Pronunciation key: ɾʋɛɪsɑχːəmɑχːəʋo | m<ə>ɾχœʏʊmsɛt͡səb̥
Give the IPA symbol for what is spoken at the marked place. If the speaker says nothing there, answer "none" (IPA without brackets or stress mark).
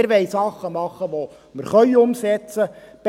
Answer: ə